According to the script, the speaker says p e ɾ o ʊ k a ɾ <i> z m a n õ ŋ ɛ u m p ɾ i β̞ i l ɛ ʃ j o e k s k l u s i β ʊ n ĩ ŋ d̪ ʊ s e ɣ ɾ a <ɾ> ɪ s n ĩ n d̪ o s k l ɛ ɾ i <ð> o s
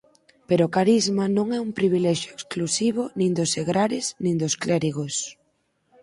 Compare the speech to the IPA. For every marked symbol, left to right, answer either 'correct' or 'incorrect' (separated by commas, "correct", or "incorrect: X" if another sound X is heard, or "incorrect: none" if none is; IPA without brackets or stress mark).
correct, correct, incorrect: ɣ